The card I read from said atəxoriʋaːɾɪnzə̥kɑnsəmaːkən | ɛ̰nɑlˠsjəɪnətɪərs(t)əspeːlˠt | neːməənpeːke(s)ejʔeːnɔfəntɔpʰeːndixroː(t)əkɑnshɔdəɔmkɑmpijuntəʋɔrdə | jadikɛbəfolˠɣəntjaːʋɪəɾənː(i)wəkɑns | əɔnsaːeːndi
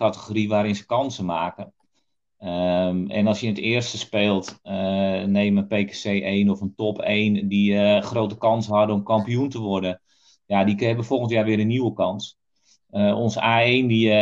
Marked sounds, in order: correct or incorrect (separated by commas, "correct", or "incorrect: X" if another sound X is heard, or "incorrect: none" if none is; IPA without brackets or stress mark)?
correct, correct, correct, correct